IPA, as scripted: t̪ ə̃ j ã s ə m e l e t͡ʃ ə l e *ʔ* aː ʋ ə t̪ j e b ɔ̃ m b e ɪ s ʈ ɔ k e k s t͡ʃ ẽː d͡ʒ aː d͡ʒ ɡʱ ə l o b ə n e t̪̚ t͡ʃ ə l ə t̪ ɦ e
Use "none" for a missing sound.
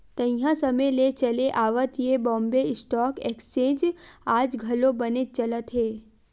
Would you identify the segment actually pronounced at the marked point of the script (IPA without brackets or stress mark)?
ʔ